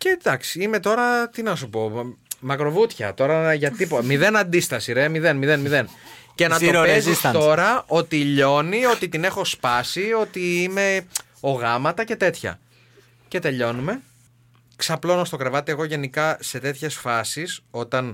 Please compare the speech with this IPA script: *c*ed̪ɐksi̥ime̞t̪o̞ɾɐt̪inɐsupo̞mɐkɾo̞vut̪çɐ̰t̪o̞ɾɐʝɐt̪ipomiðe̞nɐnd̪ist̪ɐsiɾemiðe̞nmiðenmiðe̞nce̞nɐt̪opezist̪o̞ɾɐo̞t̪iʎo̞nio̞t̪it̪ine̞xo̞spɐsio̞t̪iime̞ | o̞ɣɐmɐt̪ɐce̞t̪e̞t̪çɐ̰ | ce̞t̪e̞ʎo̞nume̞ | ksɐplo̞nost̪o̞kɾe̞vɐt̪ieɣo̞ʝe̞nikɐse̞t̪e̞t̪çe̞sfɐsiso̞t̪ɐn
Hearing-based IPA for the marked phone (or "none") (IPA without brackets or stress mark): c